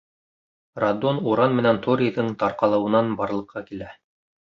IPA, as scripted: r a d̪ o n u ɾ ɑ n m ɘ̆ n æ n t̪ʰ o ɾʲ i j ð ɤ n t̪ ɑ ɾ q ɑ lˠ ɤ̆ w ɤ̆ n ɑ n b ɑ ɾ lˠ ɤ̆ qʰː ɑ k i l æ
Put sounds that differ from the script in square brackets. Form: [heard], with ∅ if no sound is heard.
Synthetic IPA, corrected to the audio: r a d̪ o n u ɾ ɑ n m ɘ̆ n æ n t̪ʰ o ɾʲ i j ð ɤ [ɴ] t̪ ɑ ɾ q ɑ lˠ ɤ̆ w ɤ̆ n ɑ n b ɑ ɾ lˠ ɤ̆ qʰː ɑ k i l æ